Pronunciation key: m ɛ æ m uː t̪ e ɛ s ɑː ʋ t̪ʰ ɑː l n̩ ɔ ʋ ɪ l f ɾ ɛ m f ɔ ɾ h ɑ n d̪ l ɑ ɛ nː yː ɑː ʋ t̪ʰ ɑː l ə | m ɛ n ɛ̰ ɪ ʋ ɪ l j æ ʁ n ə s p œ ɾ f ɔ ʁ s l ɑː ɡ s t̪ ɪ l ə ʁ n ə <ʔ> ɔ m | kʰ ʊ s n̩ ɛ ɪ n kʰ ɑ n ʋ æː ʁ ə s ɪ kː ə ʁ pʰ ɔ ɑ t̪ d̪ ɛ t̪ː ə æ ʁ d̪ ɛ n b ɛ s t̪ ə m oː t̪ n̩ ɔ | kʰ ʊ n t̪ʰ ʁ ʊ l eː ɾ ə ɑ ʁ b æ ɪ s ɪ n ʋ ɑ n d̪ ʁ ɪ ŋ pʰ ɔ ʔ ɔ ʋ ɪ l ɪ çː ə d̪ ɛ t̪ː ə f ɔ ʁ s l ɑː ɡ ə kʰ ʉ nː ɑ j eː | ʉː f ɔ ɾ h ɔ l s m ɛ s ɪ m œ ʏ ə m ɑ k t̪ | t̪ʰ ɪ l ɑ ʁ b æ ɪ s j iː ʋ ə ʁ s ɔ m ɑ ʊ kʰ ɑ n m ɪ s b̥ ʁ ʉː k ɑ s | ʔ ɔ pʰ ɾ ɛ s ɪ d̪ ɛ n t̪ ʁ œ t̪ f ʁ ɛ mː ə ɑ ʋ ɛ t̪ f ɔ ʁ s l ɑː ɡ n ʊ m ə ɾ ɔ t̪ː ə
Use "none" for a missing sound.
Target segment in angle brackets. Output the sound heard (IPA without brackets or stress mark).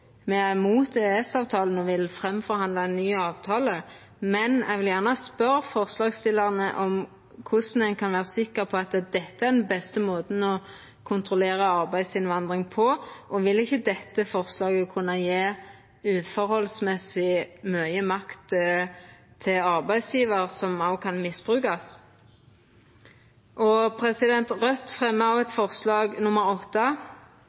ʔ